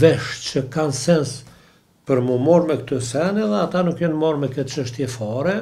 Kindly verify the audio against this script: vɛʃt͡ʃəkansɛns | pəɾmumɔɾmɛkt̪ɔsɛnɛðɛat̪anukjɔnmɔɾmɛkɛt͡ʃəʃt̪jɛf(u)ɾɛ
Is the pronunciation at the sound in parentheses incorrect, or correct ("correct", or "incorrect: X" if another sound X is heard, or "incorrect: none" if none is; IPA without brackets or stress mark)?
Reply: incorrect: ɔ